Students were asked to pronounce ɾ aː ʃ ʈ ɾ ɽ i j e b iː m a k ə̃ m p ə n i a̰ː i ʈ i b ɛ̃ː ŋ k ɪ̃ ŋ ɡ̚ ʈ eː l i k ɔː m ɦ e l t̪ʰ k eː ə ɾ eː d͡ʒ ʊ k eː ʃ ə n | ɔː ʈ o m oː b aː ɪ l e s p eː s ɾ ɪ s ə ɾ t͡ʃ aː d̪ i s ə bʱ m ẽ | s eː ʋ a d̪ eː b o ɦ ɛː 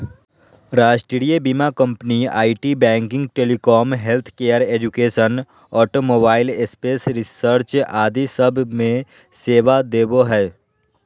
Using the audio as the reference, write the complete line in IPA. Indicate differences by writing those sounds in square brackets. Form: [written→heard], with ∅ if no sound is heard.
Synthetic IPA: ɾ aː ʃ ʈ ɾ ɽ i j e b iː m a k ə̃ m p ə n i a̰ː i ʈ i b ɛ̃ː ŋ k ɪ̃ ŋ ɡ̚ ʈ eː l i k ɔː m ɦ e l t̪ʰ k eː ə ɾ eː d͡ʒ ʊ k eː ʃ ə n | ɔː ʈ o m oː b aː ɪ l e s p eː s ɾ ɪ s ə ɾ t͡ʃ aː d̪ i s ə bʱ m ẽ | s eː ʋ a d̪ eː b o ɦ ɛː